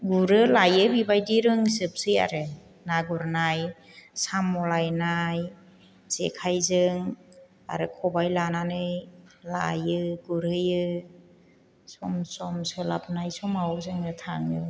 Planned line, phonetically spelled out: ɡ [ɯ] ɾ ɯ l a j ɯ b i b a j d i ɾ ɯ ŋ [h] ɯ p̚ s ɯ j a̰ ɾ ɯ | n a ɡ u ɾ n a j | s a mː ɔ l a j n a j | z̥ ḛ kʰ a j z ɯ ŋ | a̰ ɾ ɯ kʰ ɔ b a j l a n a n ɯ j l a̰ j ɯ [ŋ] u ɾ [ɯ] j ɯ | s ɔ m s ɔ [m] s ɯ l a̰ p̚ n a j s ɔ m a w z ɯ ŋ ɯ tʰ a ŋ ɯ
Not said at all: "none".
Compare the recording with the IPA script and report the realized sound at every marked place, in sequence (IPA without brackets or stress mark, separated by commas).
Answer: u, s, ɡ, ɯ, m